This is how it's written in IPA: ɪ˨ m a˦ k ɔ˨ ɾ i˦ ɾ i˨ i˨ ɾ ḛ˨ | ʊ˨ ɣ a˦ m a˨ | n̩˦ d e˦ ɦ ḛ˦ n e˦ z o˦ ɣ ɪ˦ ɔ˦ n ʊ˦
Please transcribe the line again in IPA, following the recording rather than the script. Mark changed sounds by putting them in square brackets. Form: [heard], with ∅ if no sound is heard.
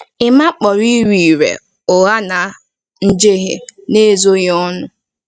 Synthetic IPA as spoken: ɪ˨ m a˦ [k͡p] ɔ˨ ɾ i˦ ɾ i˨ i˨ ɾ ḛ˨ | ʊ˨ ɣ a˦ [n] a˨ | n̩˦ [d͡ʒ] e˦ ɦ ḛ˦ n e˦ z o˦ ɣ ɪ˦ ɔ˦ n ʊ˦